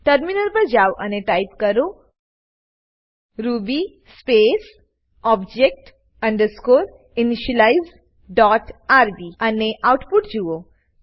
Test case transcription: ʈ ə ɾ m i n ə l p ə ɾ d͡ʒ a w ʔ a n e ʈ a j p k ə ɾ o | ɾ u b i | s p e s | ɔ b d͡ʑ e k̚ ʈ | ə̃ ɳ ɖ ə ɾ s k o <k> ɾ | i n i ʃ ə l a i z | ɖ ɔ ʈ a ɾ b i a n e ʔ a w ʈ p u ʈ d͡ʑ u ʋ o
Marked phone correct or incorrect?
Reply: incorrect